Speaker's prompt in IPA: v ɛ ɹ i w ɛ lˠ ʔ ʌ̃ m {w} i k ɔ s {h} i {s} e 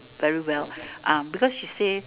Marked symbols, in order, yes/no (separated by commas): no, no, yes